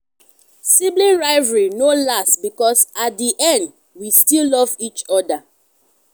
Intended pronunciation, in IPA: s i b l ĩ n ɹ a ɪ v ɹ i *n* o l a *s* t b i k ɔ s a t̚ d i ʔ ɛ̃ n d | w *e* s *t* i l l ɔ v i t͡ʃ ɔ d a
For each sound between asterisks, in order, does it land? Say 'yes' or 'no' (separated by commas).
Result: yes, yes, no, yes